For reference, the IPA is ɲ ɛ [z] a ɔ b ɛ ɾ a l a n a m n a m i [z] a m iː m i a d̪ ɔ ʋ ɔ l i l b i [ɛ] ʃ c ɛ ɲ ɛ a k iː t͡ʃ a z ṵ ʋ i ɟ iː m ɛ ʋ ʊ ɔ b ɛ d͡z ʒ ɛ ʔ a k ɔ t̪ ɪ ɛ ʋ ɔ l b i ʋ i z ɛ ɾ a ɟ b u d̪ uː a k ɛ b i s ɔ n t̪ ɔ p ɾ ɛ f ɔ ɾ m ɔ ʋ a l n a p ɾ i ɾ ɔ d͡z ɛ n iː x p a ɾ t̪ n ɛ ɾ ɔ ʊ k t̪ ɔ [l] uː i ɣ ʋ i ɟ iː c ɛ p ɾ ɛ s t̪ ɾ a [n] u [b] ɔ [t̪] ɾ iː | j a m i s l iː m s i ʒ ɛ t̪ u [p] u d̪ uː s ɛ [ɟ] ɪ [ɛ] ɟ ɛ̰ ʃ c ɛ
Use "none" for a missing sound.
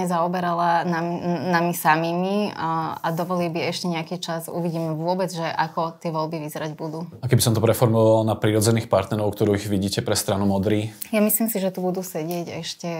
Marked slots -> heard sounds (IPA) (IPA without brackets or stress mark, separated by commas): z, s, ɛ, ɾ, n, m, d̪, b, ɟ, ɛ